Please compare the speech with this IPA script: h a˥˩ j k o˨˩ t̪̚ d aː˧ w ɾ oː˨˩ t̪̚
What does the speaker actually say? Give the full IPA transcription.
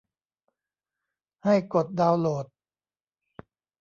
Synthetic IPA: h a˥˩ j k o˨˩ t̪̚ d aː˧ w l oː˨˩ t̪̚